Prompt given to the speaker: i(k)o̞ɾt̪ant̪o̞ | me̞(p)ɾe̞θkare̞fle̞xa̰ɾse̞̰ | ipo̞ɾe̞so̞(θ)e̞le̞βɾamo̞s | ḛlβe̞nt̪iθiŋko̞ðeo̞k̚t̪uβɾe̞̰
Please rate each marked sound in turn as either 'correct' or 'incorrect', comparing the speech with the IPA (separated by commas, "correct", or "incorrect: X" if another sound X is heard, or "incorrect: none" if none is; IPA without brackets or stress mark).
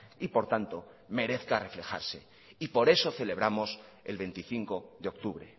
incorrect: p, incorrect: none, correct